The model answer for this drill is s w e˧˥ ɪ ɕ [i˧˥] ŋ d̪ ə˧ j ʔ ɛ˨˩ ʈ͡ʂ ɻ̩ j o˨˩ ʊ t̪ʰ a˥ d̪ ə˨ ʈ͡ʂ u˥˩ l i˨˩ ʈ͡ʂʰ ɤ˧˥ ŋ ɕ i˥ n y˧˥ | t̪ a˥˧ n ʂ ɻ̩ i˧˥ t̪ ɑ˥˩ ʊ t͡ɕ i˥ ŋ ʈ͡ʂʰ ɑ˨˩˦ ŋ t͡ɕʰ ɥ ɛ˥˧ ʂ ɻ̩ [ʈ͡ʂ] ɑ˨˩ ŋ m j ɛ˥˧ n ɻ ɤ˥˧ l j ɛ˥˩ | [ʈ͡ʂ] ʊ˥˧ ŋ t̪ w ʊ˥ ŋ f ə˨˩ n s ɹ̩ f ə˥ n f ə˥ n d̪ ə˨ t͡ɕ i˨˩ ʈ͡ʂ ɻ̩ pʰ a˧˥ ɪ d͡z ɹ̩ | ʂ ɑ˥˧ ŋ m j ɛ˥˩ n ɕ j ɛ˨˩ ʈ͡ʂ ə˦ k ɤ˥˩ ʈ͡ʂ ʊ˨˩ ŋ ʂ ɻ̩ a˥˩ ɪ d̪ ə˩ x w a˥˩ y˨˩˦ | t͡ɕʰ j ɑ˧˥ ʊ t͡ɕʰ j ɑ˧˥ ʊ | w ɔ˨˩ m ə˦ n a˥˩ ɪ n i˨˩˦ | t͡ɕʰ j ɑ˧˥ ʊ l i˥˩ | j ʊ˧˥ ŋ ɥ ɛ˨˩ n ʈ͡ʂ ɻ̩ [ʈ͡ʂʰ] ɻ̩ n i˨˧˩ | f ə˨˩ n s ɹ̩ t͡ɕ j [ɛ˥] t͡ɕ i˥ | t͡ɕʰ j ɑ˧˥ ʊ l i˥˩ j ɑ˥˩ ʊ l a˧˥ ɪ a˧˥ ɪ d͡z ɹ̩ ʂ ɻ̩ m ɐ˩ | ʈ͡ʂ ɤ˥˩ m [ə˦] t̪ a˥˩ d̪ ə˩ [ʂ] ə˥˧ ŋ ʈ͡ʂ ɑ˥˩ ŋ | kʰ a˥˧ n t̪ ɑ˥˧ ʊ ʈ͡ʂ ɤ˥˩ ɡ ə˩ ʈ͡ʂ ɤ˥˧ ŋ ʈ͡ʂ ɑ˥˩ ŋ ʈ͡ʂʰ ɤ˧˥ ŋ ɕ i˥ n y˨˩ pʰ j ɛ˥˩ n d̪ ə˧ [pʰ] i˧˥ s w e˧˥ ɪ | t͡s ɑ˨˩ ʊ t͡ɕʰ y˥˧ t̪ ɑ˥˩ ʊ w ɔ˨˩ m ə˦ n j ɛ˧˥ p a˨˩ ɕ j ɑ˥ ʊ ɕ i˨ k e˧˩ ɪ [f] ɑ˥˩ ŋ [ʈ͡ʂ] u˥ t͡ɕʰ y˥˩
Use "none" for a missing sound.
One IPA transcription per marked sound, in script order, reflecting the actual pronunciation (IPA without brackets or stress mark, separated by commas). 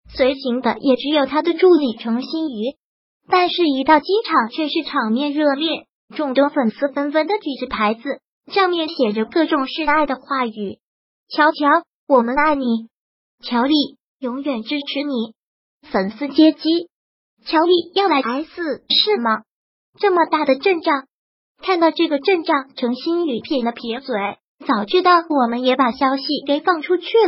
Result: i˧˥, ʈ͡ʂʰ, ʈ͡ʂ, ʈ͡ʂʰ, ɛ˥, ə˩, ʈ͡ʂ, pʰ, f, ʈ͡ʂʰ